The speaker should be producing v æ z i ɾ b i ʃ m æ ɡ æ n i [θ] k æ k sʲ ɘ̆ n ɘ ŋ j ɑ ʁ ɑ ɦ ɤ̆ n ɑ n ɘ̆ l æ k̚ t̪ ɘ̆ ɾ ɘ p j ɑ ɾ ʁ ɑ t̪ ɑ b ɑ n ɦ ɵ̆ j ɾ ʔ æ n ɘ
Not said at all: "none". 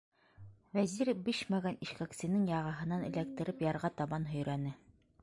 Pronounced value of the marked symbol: ʃ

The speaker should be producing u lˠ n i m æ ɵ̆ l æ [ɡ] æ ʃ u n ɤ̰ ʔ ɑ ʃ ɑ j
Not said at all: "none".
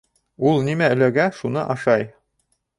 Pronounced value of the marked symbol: ɡ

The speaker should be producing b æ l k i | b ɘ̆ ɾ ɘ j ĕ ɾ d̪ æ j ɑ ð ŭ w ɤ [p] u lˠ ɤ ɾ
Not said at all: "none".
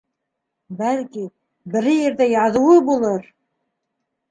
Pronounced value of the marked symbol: b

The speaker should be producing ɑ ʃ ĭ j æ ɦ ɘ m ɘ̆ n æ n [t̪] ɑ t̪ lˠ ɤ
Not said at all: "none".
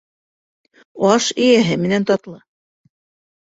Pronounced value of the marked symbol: t̪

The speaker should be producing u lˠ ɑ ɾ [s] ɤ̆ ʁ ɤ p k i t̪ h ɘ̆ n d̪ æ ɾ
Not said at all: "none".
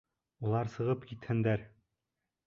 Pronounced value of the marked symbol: s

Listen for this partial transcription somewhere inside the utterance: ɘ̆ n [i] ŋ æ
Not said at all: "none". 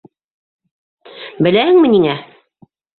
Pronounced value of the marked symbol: i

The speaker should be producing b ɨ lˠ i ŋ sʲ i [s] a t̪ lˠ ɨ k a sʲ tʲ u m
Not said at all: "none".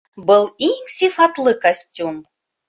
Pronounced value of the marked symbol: f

